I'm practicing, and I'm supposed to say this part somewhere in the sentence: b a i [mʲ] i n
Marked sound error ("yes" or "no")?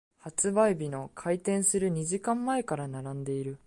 yes